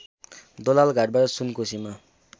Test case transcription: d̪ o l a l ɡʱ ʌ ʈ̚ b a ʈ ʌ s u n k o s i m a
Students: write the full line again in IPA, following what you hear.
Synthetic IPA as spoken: d̪ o l a l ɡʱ a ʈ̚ b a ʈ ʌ s u n k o s i m a